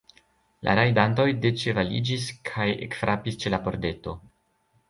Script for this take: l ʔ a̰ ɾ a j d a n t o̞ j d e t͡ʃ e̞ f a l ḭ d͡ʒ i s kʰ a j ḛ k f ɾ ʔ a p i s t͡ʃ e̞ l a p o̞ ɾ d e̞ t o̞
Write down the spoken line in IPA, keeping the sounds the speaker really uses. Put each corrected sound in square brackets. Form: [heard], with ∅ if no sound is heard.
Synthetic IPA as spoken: l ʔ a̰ ɾ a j d a n t o̞ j d e t͡ʃ e̞ [v] a l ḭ d͡ʒ i s kʰ a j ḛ k f ɾ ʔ a p i s t͡ʃ e̞ l a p o̞ ɾ d e̞ t o̞